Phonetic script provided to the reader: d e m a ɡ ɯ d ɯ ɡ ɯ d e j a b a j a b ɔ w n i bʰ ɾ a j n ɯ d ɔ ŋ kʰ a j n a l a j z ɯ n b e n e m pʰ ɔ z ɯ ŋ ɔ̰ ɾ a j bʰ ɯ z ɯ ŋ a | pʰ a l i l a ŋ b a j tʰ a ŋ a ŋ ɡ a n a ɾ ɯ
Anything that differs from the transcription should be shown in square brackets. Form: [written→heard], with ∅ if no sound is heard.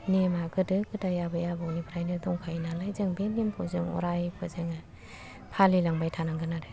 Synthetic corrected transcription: [d→n] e m a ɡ ɯ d ɯ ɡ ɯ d [e→a] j a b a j a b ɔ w n i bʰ ɾ a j n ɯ d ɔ ŋ kʰ a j n a l a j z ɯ [n→ŋ] b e n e m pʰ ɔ z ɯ ŋ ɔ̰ ɾ a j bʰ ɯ z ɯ ŋ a | pʰ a l i l a ŋ b a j tʰ a [ŋ→n] a ŋ ɡ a n a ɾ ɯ